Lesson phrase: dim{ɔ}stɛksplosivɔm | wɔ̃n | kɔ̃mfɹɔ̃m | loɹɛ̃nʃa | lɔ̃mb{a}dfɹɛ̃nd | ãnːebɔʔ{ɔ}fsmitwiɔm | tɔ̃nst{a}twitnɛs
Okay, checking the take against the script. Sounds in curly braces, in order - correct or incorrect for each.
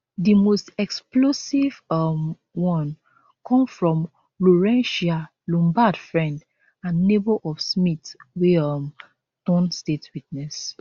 incorrect: o, correct, correct, incorrect: e

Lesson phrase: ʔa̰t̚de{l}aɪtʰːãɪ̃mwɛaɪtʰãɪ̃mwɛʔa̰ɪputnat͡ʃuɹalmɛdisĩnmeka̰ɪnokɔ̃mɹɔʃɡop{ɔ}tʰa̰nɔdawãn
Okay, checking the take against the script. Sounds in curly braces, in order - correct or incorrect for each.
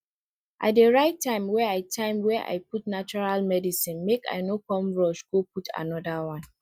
incorrect: ɹ, incorrect: u

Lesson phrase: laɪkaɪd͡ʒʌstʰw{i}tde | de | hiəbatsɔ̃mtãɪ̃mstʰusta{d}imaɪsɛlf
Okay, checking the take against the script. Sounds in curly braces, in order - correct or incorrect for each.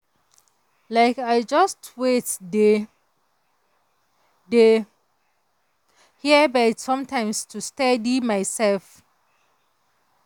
incorrect: e, correct

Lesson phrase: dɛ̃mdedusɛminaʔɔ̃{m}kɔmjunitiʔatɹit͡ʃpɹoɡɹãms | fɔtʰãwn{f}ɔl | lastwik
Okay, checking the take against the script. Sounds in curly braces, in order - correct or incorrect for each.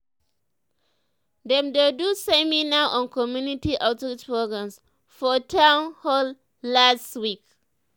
incorrect: n, incorrect: h

